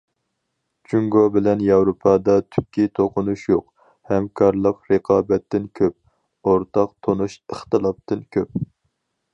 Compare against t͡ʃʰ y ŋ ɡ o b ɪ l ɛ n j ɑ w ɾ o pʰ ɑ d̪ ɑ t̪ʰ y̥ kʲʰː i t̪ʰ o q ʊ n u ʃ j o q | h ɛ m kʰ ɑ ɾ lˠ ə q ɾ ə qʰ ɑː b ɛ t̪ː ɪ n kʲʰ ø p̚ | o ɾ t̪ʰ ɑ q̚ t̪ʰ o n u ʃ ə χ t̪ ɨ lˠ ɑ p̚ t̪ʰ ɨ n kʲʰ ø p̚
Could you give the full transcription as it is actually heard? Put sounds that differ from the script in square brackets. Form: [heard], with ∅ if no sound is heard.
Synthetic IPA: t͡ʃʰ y ŋ ɡ o b ɪ l ɛ n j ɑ w ɾ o pʰ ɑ d̪ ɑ t̪ʰ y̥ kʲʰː i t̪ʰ o q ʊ n u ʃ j o q | h ɛ m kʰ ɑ ɾ lˠ ə q ɾ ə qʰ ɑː b ɛ t̪ː ɪ n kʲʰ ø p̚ | o ɾ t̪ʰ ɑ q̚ t̪ʰ o n u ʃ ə χ t̪ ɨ lˠ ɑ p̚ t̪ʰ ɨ n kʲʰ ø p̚